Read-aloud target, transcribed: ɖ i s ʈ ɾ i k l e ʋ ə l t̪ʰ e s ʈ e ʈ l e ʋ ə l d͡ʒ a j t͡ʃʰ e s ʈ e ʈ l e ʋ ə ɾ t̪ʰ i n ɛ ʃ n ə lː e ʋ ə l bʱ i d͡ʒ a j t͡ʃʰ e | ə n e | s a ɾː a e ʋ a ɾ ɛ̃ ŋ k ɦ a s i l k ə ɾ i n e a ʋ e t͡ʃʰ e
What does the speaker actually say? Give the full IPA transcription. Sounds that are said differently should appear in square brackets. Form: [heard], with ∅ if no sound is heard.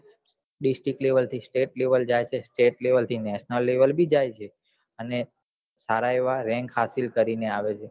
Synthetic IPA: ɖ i s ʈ ɾ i k l e ʋ ə l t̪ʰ [i] s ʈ e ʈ l e ʋ ə l d͡ʒ a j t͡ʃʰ e s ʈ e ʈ l e ʋ ə [l] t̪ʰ i n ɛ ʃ n ə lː e ʋ ə l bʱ i d͡ʒ a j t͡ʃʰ e | ə n e | s a [ɾ] a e ʋ a ɾ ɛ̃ ŋ k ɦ a s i l k ə ɾ i n e a ʋ e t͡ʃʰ e